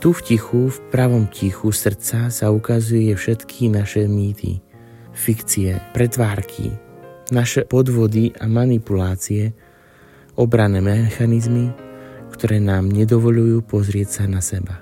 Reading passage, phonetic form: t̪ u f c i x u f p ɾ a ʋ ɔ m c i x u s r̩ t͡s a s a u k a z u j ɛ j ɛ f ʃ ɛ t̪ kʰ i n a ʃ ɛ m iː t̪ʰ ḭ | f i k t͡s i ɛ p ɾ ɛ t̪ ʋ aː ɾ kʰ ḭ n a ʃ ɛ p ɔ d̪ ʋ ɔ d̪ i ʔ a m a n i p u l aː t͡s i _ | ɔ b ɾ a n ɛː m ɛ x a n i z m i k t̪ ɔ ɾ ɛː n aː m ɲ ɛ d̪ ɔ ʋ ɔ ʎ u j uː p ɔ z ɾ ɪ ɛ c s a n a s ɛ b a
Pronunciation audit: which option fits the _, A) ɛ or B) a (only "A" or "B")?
A